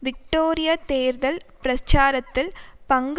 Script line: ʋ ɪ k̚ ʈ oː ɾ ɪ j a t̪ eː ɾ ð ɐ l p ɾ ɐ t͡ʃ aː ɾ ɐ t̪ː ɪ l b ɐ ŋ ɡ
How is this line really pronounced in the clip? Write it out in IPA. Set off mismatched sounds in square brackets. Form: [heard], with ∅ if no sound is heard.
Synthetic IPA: ʋ ɪ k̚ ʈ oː ɾ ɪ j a t̪ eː ɾ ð ɐ l p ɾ ɐ t͡ʃ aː ɾ ɐ t̪ː ɪ l [p] ɐ ŋ ɡ